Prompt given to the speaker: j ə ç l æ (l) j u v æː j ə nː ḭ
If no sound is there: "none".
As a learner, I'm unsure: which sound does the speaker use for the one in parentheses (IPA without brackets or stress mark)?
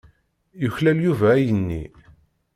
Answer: l